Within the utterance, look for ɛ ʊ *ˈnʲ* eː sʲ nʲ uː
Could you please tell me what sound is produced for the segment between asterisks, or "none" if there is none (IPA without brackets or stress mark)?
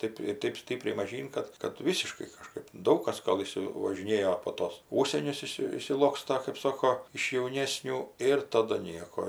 nʲ